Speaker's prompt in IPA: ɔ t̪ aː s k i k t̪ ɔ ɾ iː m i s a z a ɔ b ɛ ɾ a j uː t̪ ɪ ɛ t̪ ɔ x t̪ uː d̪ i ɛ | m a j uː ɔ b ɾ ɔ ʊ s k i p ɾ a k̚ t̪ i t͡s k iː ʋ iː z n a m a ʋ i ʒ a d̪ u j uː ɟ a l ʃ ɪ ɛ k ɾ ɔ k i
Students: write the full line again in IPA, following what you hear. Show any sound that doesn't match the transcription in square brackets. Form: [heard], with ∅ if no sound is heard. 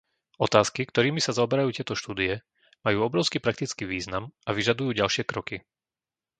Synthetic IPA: ɔ t̪ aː s k i k t̪ ɔ ɾ iː m i s a z a ɔ b ɛ ɾ a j uː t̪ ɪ ɛ t̪ ɔ [ʃ] t̪ uː d̪ i ɛ | m a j uː ɔ b ɾ ɔ ʊ s k i p ɾ a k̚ t̪ i t͡s k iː ʋ iː z n a m a ʋ i ʒ a d̪ u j uː ɟ a l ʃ ɪ ɛ k ɾ ɔ k i